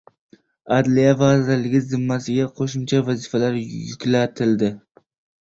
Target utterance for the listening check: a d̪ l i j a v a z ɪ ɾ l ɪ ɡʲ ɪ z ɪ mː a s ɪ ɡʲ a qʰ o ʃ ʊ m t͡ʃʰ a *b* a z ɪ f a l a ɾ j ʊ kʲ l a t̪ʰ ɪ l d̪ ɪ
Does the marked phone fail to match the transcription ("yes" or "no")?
yes